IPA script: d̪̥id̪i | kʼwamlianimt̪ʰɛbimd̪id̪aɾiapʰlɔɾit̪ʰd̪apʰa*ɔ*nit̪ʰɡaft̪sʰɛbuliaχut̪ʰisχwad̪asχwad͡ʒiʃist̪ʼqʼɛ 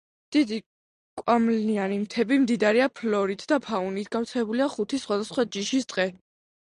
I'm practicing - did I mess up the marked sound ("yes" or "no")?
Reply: yes